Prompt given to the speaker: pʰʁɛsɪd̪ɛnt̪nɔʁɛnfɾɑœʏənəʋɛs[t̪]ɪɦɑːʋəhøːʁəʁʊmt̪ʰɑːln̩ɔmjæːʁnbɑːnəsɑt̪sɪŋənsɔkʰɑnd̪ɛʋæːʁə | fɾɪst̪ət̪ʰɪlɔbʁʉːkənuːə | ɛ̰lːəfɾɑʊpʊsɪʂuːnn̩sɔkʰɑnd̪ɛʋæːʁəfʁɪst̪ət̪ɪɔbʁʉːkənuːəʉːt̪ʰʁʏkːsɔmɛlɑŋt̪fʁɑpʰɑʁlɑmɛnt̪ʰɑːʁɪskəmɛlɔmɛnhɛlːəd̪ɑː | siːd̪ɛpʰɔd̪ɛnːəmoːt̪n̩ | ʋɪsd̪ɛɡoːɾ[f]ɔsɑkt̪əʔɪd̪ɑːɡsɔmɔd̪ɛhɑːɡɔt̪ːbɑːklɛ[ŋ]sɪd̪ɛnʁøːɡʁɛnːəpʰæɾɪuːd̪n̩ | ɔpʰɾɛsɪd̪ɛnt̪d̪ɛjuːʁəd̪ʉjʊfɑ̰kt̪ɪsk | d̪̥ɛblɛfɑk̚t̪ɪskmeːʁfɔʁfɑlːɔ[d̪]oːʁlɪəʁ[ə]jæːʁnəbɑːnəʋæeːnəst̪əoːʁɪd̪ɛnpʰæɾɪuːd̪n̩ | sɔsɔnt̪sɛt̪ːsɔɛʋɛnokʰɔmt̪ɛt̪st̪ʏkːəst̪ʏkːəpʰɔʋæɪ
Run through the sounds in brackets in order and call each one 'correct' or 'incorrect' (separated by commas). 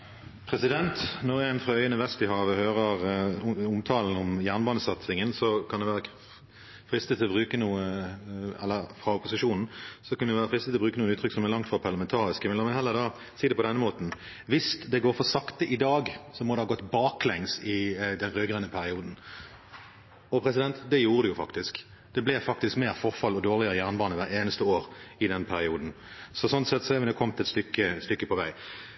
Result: correct, correct, correct, correct, correct